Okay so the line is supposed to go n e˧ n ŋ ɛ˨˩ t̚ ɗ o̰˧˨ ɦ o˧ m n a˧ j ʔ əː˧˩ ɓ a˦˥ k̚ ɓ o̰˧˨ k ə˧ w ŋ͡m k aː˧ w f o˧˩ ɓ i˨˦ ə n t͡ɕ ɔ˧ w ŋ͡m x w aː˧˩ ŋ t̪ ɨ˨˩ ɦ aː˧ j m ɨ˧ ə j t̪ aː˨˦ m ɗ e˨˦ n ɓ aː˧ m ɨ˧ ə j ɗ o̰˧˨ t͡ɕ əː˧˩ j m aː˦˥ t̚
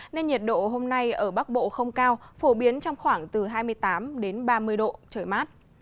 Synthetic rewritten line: n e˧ n ɲ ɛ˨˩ t̚ ɗ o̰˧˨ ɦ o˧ m n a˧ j ʔ əː˧˩ ɓ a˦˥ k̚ ɓ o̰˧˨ x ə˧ w ŋ͡m k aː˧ w f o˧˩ ɓ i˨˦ ə n t͡ɕ ɔ˧ w ŋ͡m x w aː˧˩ ŋ t̪ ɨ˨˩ ɦ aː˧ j m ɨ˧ ə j t̪ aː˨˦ m ɗ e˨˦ n ɓ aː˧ m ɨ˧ ə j ɗ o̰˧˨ t͡ɕ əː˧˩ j m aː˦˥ t̚